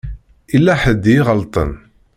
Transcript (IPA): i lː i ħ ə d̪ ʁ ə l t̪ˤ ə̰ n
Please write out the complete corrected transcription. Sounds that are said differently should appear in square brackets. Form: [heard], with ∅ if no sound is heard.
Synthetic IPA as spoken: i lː [æ] ħ ə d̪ ʁ ə l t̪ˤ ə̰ n

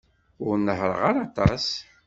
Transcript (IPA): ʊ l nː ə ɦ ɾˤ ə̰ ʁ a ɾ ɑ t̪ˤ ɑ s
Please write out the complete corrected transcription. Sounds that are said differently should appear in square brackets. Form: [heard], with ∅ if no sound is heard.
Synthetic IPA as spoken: ʊ [ɾ] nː ə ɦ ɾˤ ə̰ ʁ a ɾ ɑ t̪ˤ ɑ s

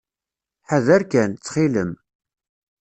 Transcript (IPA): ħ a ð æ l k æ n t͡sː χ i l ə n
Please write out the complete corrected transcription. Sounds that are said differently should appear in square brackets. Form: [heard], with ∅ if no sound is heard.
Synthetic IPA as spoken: ħ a ð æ [ɾ] k æ n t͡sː χ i l ə [m]

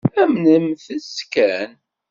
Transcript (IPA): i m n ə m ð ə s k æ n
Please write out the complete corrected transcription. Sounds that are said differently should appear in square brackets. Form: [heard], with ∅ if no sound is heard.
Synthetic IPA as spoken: [æ] m n ə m [θ] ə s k æ n

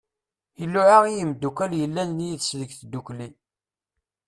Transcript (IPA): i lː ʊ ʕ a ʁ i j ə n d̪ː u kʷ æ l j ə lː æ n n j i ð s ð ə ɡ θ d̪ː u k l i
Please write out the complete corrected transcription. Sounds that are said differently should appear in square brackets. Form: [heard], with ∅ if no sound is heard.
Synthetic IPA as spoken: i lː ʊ ʕ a ʁ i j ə [m] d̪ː u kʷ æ l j ə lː æ n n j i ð s ð ə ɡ θ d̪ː u k l i

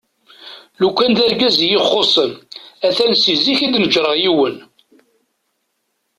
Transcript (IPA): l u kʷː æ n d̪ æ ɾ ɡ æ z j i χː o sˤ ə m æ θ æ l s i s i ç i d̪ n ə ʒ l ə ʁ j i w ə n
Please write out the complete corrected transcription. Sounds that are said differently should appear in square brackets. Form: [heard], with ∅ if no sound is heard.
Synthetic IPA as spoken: l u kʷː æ n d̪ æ ɾ ɡ æ z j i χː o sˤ ə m æ θ æ l s i [z] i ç i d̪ n ə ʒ [ɾ] ə ʁ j i w ə n

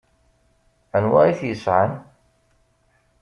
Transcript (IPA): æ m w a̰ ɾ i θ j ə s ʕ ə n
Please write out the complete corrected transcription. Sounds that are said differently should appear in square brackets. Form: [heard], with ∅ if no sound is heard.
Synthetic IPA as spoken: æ [n] w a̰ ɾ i θ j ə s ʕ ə n

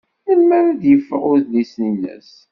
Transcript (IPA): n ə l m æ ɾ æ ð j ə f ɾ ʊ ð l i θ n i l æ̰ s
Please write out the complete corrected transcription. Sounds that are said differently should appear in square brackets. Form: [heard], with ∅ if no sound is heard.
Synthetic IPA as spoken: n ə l m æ ɾ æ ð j ə f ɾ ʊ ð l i [s] n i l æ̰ s

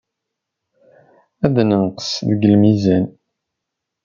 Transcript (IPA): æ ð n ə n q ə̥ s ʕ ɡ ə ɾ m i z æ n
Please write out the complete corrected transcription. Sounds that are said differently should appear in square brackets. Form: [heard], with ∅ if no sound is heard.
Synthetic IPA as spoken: æ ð n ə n q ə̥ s [ð] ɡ ə [l] m i z æ n

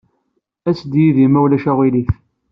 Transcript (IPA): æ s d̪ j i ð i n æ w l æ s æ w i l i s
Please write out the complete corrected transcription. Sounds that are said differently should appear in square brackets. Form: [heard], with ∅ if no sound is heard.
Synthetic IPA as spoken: æ s d̪ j i ð i [m] æ w l æ [ʃ] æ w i l i [θ]

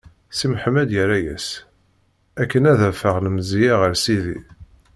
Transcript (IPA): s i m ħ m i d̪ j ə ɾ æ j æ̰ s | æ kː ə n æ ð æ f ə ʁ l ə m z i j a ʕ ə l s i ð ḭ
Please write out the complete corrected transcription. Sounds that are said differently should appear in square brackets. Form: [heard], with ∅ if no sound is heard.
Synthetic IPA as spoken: s i m ħ m [æ] d̪ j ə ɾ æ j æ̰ s | æ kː ə n æ ð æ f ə ʁ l ə m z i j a [ʁ] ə [ɾ] s i ð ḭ

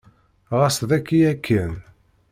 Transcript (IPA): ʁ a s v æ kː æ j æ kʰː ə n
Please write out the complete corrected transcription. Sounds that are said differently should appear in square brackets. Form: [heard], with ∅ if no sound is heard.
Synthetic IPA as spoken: ʁ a s [ð] æ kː [i] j æ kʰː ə n

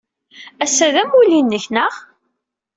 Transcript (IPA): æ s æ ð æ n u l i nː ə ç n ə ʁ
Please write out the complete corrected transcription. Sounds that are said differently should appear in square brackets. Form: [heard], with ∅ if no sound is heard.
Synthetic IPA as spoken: æ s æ ð æ [m] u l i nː ə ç n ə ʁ

